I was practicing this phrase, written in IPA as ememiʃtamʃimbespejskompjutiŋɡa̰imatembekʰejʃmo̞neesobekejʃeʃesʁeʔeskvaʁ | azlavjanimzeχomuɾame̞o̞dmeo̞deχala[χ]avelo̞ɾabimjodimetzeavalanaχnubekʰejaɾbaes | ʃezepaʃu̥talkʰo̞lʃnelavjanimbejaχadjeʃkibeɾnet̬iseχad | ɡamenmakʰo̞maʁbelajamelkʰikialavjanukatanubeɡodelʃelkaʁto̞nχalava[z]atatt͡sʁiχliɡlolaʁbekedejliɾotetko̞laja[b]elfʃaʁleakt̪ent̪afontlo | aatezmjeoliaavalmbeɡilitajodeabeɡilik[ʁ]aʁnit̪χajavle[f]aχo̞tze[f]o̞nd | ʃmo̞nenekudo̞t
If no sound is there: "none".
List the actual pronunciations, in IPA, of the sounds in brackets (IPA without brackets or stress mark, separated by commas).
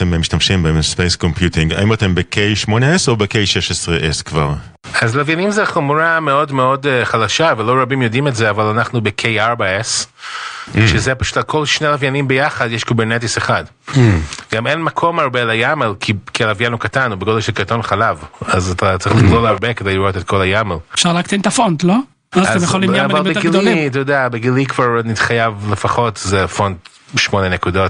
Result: ʃ, z, m, v, f, f